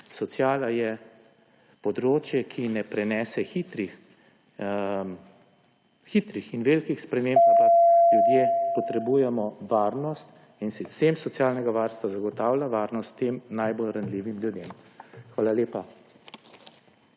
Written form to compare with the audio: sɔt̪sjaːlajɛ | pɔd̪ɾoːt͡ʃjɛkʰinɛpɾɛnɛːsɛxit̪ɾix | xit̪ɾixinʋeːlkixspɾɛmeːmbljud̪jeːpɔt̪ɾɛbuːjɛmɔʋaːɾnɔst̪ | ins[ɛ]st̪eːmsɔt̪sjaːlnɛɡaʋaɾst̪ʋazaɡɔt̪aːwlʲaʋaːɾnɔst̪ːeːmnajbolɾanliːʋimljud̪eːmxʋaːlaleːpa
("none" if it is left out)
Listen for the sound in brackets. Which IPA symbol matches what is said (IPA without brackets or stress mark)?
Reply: i